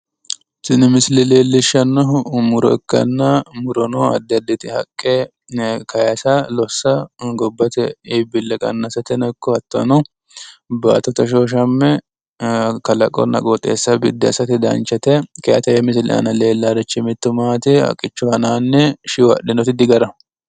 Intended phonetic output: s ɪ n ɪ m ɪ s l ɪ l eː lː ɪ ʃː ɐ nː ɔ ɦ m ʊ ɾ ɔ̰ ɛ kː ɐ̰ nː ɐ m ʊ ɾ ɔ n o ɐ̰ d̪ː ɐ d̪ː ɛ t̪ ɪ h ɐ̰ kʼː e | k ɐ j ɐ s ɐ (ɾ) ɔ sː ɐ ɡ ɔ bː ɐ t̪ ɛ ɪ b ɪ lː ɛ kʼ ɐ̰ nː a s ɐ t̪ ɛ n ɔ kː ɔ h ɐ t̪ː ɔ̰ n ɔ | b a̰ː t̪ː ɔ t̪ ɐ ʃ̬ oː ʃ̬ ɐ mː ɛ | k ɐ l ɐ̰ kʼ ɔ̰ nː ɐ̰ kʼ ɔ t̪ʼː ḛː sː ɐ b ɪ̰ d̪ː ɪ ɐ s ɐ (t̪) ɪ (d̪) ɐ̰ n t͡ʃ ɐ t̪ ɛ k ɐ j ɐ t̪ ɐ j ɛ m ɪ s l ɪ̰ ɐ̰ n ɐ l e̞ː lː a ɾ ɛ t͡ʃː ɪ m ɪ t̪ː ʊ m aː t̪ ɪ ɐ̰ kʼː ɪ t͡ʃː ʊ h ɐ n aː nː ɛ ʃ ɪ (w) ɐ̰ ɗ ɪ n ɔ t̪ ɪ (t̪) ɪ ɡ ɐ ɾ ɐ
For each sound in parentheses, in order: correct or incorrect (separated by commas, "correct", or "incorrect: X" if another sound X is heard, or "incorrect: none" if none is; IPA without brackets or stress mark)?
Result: incorrect: l, correct, correct, correct, incorrect: d̪